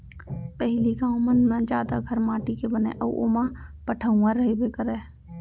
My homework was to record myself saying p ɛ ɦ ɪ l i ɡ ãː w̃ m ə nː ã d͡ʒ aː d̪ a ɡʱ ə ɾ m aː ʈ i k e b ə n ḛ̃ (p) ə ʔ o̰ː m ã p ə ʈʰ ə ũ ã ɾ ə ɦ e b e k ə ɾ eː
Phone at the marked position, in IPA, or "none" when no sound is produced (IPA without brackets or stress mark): ʔ